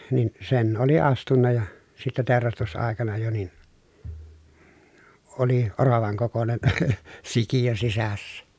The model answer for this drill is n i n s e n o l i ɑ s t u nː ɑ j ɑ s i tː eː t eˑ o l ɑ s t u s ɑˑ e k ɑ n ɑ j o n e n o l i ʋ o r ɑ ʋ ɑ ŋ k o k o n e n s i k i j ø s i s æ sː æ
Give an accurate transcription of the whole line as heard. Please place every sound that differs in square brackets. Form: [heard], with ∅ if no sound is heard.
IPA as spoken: n i n s e n o l i ɑ s t u nː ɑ j ɑ s i tː [e] t eˑ o [r] ɑ s t u s ɑˑ e k ɑ n ɑ j o n [i] n o l i [∅] o r ɑ ʋ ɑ ŋ k o k o n e n s i k i j ø s i s æ sː æ